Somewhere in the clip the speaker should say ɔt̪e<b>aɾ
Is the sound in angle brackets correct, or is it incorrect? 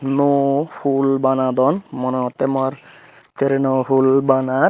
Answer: incorrect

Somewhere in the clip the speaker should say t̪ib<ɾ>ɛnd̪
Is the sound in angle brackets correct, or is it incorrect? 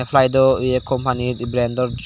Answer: correct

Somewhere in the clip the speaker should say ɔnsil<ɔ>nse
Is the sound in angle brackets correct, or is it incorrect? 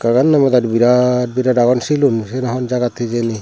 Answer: incorrect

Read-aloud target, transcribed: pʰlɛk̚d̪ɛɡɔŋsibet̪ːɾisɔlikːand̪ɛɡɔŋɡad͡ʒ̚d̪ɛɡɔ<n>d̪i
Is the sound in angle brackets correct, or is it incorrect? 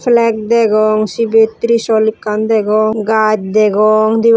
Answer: incorrect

